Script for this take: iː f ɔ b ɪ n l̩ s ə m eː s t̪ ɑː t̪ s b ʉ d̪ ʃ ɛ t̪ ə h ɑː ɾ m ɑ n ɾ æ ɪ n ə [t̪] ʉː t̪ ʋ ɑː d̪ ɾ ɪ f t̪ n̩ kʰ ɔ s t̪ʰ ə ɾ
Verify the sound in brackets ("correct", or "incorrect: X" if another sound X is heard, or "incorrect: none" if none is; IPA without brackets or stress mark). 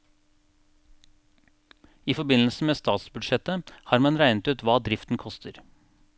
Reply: correct